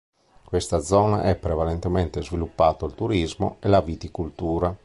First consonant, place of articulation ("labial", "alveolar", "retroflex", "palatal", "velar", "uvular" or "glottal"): velar